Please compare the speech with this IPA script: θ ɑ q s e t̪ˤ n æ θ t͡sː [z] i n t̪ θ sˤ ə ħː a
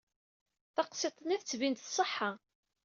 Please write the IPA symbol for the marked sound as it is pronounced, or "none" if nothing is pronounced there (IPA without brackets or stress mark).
v